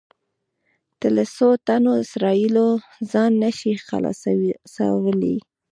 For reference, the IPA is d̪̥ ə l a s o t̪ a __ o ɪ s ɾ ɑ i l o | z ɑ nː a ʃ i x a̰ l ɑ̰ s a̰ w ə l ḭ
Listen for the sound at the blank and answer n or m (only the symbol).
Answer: n